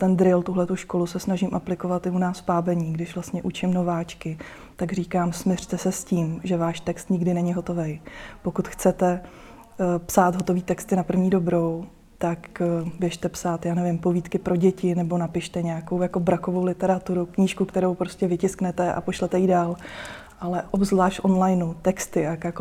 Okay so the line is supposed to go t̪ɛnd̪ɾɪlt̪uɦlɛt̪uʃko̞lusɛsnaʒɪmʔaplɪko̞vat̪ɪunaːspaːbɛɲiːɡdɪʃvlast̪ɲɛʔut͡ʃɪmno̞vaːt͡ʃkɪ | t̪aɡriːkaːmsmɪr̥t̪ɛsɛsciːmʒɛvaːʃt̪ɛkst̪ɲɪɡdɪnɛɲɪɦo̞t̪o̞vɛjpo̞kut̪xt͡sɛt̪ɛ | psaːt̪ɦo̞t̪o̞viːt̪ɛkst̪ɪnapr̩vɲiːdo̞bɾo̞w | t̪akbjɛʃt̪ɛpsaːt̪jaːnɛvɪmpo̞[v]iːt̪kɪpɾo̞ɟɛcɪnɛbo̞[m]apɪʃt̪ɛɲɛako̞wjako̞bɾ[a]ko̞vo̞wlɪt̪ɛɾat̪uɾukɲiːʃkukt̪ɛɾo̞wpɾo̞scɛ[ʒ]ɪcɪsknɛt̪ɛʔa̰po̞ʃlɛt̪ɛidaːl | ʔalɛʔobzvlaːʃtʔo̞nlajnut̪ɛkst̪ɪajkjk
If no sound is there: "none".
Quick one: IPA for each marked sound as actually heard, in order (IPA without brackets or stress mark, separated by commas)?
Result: v, n, a, v